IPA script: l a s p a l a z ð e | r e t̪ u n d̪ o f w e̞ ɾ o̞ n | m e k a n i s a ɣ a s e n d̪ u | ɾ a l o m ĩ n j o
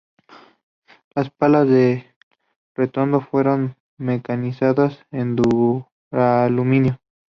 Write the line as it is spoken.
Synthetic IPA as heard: l a s p a l a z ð e | r e t̪ o n d̪ o f w e̞ ɾ o̞ n | m e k a n i s a ð a s e n d̪ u | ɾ a l u m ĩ n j o